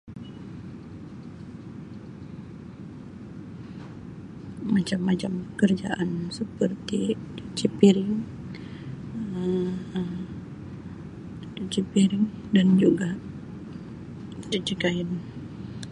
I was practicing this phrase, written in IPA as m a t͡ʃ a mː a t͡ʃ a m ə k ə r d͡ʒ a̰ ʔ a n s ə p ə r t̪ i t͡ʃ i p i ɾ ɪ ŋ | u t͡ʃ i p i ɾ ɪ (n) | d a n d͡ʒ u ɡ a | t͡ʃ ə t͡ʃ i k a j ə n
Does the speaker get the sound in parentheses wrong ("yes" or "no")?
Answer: yes